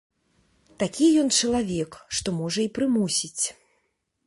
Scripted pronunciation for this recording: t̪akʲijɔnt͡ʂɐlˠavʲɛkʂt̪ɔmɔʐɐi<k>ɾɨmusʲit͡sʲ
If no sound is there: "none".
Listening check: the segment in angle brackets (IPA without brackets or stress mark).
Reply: p